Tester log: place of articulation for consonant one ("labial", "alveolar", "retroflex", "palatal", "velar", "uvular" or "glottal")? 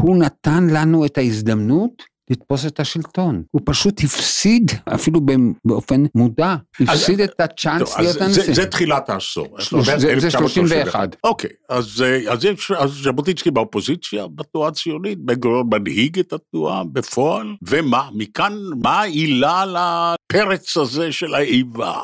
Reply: glottal